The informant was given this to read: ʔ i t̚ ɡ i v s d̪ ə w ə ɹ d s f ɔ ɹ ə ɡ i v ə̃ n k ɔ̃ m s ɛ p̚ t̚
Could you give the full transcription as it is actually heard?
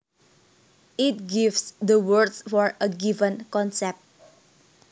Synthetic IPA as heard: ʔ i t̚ ɡ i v s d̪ ə w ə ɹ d s f ɔ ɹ ə ɡ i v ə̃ n k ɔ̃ n s ɛ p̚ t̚